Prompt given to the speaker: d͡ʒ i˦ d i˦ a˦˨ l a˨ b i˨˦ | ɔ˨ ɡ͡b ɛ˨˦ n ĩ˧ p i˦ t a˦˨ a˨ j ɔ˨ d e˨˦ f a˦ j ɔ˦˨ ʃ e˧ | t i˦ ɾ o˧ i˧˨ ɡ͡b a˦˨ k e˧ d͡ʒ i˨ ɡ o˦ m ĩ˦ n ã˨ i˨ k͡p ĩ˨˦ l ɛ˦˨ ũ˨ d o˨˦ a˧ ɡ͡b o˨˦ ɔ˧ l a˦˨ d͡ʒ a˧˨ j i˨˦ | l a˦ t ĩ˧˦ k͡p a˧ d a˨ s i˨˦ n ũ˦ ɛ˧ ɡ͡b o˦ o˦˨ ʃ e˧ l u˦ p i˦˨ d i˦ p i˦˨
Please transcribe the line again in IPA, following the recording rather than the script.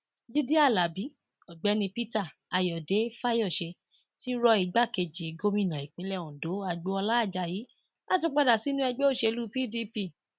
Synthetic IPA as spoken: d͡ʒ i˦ d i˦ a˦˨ l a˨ b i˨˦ | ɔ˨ ɡ͡b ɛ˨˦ n ĩ˧ p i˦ t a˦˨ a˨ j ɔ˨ d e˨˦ f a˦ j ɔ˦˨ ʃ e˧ | t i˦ ɾ ɔ˧ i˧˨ ɡ͡b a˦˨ k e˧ d͡ʒ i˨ ɡ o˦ m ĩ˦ n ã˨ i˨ k͡p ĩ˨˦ l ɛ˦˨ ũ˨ d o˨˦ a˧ ɡ͡b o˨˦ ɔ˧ l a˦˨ d͡ʒ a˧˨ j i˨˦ | l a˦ t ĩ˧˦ k͡p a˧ d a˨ s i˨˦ n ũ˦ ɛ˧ ɡ͡b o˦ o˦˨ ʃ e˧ l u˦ p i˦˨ d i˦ p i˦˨

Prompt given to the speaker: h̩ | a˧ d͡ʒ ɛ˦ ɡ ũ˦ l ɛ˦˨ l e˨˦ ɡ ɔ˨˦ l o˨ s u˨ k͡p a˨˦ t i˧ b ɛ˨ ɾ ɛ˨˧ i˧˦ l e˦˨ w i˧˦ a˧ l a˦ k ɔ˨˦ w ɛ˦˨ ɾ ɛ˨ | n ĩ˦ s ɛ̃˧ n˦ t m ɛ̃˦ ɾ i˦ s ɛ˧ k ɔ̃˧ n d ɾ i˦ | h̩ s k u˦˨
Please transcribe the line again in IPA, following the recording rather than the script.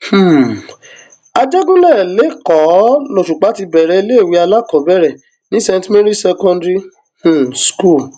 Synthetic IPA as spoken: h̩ | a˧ d͡ʒ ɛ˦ ɡ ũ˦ l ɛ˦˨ l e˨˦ k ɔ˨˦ l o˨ ʃ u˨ k͡p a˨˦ t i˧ b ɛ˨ ɾ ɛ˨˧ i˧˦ l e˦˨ w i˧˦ a˧ l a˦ k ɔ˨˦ b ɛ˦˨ ɾ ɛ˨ | n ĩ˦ s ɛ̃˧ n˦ t m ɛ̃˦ ɾ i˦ s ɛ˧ k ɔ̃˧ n d ɾ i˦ | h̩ s k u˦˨

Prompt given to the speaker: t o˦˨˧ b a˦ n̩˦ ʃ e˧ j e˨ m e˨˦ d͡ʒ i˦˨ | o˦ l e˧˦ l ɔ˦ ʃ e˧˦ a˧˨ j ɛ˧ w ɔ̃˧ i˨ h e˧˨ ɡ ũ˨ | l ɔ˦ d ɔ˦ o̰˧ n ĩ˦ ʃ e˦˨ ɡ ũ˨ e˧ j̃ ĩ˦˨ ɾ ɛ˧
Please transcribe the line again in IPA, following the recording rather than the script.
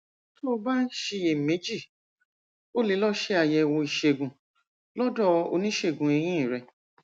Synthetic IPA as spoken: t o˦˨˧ b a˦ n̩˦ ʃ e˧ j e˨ m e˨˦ d͡ʒ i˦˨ | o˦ l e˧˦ l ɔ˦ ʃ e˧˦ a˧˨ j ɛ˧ w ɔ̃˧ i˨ ʃ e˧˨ ɡ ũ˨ | l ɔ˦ d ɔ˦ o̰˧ n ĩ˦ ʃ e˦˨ ɡ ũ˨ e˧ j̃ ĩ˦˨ ɾ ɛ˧

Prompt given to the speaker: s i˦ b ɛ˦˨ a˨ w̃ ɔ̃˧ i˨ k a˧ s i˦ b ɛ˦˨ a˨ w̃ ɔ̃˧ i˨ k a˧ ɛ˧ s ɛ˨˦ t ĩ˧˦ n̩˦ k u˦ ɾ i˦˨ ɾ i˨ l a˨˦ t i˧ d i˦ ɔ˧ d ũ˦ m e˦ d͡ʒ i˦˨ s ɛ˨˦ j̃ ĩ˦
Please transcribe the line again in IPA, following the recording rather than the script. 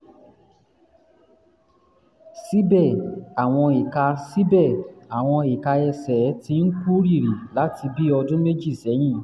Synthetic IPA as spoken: s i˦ b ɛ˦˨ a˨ w̃ ɔ̃˧ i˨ k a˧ s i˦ b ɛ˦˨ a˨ w̃ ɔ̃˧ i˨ k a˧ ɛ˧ s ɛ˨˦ t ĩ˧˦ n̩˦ k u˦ ɾ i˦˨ ɾ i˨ l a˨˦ t i˧ b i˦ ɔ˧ d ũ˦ m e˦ d͡ʒ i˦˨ s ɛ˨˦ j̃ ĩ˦

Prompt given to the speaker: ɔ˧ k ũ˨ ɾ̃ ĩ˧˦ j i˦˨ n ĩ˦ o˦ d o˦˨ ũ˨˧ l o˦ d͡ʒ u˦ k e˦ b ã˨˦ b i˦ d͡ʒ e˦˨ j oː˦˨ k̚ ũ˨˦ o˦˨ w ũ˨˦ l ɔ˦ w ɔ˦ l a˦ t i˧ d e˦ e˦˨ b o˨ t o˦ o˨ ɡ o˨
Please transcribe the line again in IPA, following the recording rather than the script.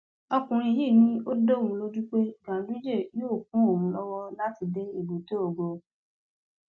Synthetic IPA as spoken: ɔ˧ k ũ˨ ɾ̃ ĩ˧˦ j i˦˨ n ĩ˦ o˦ d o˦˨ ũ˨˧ l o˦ d͡ʒ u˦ k͡p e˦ ɡ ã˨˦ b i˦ d͡ʒ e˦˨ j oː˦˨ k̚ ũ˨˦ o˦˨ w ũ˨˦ l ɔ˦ w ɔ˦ l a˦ t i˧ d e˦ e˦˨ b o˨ t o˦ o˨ ɡ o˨

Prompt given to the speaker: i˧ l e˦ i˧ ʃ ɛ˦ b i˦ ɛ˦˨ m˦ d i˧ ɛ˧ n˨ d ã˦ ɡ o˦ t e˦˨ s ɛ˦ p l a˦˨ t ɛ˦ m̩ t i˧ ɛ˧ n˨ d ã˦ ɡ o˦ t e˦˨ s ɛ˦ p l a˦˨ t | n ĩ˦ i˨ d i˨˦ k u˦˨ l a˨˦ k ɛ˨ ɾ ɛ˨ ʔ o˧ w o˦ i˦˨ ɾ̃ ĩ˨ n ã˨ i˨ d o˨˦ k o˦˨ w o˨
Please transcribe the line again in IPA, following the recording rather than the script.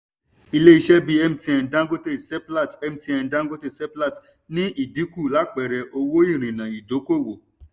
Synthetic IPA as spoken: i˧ l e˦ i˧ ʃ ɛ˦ b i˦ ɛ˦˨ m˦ t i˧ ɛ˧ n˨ d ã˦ ɡ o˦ t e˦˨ s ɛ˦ p l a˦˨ t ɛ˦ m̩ t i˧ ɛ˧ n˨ d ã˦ ɡ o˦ t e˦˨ s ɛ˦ p l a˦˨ t | n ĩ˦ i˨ d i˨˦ k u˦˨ l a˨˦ k͡p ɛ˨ ɾ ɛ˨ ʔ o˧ w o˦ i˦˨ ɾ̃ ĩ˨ n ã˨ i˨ d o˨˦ k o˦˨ w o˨

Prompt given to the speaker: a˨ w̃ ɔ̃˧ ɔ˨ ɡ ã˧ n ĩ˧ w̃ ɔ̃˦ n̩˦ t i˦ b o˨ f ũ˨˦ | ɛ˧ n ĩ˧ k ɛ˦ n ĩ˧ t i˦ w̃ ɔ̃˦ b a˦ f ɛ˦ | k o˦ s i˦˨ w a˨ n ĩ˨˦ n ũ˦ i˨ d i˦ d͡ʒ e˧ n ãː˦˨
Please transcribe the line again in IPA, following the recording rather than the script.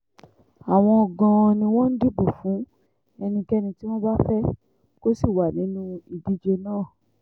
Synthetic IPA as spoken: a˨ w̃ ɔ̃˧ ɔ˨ ɡ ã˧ n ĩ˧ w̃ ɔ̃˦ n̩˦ d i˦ b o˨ f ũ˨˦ | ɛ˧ n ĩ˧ k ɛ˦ n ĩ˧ t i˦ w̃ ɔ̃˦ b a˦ f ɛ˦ | k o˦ s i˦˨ w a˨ n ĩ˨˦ n ũ˦ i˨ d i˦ d͡ʒ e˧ n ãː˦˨

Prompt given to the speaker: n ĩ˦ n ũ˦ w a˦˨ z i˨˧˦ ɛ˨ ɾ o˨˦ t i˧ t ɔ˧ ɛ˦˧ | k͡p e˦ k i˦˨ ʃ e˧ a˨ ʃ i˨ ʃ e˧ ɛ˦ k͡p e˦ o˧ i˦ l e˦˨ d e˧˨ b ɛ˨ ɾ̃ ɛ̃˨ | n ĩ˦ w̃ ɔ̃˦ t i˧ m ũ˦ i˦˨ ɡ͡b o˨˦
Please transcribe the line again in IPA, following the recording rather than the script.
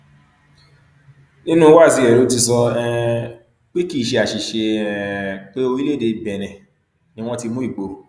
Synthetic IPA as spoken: n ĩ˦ n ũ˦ w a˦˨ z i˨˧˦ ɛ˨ ɾ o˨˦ t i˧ s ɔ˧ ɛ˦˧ | k͡p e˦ k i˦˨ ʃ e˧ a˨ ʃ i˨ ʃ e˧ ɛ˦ k͡p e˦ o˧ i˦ l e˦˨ d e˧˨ b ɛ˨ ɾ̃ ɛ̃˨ | n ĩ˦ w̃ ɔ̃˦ t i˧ m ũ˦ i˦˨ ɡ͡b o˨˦

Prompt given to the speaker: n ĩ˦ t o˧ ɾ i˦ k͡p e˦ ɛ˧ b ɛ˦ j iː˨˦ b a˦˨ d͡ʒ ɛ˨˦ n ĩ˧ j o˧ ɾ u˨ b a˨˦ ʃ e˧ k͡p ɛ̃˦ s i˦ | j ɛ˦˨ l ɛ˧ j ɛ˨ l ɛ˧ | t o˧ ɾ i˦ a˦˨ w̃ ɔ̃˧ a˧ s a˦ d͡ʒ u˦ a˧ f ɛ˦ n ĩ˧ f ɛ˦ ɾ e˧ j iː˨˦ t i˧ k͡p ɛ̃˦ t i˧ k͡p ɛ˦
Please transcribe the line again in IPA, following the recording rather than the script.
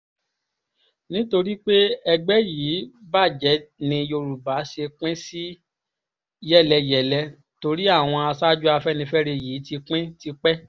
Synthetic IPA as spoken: n ĩ˦ t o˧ ɾ i˦ k͡p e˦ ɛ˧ ɡ͡b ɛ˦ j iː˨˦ b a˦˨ d͡ʒ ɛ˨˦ n ĩ˧ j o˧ ɾ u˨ b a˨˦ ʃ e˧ k͡p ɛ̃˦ s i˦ | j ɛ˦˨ l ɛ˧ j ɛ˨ l ɛ˧ | t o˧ ɾ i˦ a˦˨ w̃ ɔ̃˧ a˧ s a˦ d͡ʒ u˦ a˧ f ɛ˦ n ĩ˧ f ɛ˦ ɾ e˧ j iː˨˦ t i˧ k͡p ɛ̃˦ t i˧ k͡p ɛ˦

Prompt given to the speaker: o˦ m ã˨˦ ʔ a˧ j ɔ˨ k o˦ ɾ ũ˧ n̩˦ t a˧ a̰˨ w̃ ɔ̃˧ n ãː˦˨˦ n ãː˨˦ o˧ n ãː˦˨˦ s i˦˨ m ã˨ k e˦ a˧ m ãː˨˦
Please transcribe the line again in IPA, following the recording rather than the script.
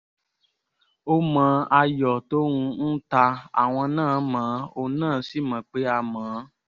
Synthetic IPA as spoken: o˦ m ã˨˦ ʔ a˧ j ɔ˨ t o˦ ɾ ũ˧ n̩˦ t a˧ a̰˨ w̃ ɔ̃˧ n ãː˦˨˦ m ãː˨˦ o˧ n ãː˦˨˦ s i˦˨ m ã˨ k͡p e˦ a˧ m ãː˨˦

